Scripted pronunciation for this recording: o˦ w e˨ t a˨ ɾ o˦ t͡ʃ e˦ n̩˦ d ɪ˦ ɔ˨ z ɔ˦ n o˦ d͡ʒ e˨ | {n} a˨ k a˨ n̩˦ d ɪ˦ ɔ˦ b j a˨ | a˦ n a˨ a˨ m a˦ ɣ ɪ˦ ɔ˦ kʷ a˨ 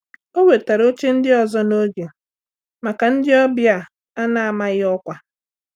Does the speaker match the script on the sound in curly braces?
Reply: no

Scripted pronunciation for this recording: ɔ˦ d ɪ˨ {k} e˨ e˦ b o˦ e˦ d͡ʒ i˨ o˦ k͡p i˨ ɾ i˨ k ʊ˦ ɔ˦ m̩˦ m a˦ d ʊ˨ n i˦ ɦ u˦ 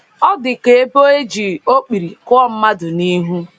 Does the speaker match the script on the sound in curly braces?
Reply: yes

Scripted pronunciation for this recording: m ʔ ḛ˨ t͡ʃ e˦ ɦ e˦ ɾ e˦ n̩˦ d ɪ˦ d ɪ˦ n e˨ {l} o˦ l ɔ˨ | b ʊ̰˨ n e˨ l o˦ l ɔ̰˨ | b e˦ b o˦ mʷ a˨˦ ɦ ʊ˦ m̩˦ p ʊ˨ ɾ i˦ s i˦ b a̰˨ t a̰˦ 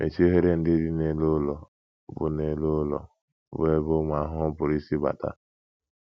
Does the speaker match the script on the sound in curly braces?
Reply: yes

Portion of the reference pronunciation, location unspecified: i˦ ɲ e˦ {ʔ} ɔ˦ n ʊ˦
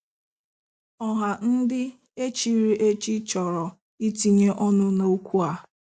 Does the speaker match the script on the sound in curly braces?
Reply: yes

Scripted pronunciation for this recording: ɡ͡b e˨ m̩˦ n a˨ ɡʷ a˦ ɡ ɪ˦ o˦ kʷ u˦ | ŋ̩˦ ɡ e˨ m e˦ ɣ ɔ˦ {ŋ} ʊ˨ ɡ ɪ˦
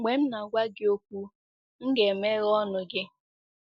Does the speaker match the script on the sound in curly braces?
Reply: no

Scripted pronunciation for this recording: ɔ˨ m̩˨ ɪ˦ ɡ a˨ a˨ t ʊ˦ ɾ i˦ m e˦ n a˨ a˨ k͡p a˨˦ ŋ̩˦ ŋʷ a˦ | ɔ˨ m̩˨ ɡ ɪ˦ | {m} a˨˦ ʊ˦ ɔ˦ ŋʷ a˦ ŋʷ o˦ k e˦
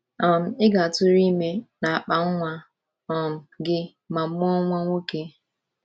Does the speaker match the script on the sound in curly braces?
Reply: yes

